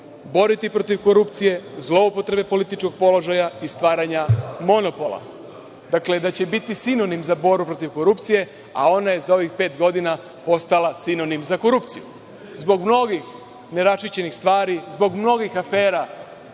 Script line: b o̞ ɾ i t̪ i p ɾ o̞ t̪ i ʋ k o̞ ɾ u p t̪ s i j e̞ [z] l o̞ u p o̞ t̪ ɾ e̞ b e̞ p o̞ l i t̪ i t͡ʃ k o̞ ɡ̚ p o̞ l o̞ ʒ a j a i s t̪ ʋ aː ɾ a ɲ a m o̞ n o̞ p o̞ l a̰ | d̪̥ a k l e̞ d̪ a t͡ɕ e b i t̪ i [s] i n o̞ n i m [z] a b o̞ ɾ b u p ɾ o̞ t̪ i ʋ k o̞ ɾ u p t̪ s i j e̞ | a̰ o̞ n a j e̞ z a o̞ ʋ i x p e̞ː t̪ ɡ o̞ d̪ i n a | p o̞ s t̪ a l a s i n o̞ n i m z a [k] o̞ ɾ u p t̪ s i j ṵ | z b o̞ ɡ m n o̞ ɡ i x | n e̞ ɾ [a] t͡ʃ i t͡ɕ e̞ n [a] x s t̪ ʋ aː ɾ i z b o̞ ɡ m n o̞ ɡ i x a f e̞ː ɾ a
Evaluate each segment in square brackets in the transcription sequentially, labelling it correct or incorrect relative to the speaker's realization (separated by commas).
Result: correct, correct, correct, correct, correct, incorrect